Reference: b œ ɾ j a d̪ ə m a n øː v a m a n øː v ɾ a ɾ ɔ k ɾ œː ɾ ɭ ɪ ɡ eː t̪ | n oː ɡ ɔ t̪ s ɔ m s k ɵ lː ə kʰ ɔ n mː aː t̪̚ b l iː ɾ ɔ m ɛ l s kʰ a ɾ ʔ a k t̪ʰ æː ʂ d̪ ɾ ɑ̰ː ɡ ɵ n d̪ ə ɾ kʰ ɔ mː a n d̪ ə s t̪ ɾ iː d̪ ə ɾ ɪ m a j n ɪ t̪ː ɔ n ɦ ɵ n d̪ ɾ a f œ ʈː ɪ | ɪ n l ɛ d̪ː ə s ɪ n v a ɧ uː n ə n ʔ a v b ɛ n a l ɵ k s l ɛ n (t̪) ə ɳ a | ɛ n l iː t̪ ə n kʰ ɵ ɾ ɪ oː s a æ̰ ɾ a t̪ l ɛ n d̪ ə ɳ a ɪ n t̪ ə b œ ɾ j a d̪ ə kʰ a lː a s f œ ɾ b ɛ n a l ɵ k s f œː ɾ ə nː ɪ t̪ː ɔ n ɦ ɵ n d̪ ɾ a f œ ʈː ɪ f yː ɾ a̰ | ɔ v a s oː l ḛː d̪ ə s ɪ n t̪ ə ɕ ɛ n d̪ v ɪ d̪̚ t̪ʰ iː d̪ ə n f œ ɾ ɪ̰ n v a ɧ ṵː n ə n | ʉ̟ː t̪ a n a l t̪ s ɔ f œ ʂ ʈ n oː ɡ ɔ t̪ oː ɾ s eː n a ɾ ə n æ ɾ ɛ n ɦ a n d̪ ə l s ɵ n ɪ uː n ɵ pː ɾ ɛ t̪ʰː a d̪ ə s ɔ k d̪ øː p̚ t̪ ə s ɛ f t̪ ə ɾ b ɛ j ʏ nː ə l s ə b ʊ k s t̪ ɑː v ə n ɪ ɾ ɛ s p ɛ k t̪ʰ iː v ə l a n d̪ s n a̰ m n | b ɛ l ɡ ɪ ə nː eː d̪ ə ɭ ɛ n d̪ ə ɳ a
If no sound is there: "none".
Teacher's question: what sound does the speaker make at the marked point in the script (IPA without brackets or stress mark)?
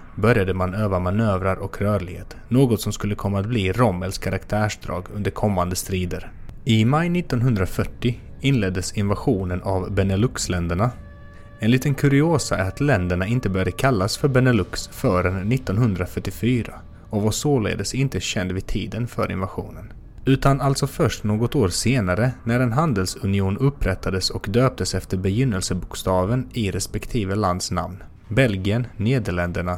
d̪